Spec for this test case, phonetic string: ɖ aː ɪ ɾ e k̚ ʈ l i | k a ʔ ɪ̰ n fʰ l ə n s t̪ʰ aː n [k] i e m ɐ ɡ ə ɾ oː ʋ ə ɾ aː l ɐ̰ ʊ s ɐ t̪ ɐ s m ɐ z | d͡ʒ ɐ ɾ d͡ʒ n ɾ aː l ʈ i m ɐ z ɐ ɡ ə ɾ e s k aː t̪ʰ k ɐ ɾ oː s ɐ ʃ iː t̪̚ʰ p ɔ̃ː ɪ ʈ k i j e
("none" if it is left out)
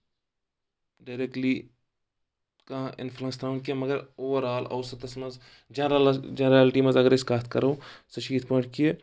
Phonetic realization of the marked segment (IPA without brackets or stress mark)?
k